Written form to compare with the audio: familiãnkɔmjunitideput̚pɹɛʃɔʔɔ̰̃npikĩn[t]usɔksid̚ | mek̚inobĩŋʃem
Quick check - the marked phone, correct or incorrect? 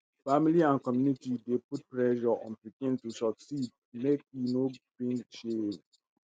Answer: correct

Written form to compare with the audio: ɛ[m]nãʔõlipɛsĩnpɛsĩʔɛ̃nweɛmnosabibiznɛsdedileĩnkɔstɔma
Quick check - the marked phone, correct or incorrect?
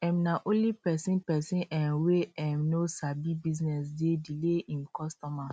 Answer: correct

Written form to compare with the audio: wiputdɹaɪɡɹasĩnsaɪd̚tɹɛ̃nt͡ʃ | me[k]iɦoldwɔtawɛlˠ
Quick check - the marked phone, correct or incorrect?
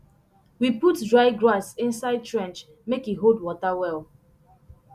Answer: correct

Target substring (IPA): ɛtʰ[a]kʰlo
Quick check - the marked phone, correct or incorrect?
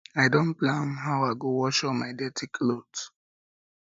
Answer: incorrect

